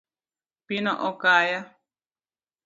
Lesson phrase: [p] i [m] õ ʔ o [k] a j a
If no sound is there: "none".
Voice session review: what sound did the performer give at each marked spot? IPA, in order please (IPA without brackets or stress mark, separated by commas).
p, n, k